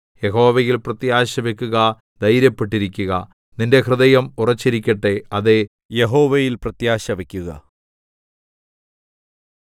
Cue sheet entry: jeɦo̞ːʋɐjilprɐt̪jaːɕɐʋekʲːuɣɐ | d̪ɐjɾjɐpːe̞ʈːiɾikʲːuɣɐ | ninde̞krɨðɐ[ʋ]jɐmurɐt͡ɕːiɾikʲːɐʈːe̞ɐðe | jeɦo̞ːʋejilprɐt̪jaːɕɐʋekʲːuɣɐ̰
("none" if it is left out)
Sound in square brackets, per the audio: none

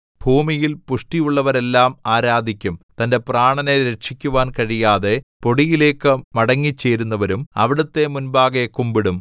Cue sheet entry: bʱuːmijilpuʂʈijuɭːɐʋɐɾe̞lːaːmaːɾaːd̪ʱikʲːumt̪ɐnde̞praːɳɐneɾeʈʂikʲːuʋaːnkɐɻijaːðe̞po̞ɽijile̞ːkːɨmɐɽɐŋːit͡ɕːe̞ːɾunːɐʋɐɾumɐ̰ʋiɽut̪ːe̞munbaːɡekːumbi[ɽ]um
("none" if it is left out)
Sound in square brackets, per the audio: ɽ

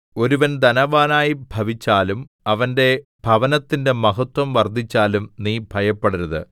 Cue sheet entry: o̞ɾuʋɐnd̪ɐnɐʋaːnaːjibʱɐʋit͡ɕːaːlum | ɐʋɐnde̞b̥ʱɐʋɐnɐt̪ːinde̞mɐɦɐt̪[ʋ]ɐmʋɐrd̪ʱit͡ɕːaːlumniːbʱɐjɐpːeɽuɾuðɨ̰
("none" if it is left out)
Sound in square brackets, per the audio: w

